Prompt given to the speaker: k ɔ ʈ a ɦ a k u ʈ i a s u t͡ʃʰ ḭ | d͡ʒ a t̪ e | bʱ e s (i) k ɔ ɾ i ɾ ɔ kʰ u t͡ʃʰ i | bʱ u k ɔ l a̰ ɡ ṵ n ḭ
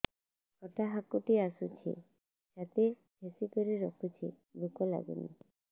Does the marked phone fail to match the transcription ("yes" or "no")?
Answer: no